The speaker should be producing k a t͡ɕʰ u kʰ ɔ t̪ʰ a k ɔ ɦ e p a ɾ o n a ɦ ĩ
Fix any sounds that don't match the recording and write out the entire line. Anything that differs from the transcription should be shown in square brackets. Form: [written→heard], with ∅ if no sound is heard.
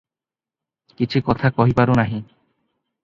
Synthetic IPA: k [a→i] t͡ɕʰ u [kʰ→k] ɔ t̪ʰ a k ɔ ɦ [e→i] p a ɾ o n a ɦ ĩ